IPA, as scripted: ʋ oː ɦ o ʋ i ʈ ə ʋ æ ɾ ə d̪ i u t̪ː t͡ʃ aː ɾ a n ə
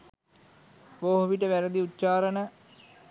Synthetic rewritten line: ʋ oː ɦ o ʋ i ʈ ə ʋ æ ɾ ə d̪ i u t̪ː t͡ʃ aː ɾ ə n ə

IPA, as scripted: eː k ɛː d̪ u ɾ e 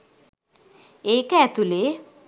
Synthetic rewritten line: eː k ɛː t̪ u l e

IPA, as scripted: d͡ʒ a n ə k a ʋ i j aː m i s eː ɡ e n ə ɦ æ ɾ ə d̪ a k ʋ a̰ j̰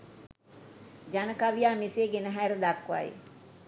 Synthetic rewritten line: d͡ʒ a n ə k a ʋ i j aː m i s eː ɡ e n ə ɦ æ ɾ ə d̪ a k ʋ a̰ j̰

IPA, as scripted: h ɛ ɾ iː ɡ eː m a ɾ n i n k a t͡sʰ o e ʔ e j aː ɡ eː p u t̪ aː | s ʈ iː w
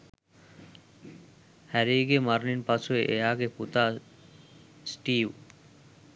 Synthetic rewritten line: h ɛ ɾ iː ɡ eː m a ɾ n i n p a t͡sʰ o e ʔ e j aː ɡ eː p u t̪ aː | s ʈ iː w

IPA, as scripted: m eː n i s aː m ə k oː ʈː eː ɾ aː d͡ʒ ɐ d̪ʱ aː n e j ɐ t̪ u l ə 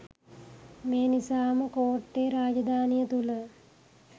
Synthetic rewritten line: m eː n i s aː m ə k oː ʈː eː ɾ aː d͡ʒ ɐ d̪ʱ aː n i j ə t̪ u l ə

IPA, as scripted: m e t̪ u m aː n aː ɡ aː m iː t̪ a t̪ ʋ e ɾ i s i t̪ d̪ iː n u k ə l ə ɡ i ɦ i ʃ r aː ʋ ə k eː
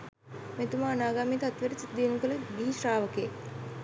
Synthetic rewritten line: m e t̪ u m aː n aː ɡ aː m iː t̪ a t̪ ʋ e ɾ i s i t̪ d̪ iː n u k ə l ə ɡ i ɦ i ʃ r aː ʋ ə k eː

